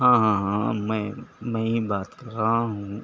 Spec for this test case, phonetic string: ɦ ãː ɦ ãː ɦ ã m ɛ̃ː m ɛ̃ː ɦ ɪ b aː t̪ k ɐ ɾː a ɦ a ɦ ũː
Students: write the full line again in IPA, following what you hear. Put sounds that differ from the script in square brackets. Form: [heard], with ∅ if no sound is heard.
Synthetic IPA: ɦ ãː ɦ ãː ɦ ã m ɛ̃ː m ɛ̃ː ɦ [i] b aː t̪ k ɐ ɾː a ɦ a ɦ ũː